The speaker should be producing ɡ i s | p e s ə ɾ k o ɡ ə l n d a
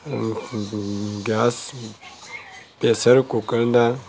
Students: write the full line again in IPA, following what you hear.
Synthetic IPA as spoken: ɡ a s | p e s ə ɾ k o k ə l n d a